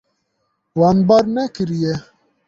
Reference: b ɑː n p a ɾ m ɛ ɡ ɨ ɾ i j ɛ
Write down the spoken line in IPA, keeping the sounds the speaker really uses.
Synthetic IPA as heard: w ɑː n b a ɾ n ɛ k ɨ ɾ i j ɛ